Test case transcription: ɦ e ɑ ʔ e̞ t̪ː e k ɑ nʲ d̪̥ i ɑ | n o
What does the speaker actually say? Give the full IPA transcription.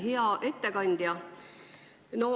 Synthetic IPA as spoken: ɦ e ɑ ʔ e̞ t̪ː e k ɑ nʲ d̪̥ j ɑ | n o